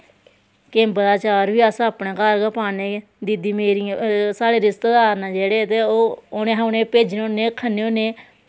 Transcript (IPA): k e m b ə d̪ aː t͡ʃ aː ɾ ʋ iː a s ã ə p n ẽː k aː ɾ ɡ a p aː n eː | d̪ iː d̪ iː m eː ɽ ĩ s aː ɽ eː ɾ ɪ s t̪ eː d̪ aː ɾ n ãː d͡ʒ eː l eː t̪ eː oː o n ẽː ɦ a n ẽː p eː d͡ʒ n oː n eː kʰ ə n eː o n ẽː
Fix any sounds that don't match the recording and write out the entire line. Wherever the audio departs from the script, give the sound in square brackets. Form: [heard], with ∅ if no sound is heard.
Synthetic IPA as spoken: k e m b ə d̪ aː t͡ʃ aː ɾ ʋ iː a s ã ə p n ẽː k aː ɾ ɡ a p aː n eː | d̪ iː d̪ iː m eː [ɾ] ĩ s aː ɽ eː ɾ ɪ s t̪ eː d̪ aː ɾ n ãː d͡ʒ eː [ɽ] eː t̪ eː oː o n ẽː ɦ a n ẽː p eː d͡ʒ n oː n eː kʰ ə n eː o n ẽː